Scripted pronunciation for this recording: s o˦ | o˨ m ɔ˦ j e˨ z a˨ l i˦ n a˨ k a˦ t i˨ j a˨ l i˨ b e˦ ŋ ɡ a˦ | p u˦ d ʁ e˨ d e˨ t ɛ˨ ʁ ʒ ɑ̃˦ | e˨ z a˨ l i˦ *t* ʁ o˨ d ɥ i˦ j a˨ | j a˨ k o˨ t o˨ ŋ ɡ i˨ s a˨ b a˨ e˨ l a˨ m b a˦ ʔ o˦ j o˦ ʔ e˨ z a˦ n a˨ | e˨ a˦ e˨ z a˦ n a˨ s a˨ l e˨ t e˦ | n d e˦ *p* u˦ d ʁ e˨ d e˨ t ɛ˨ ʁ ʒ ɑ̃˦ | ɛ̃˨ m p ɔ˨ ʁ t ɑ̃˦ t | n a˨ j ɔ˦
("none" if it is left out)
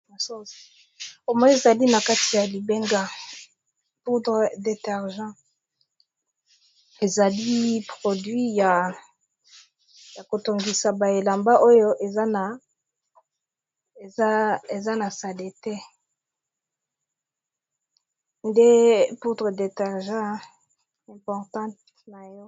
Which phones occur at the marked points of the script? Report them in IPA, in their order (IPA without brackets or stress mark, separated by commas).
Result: p, p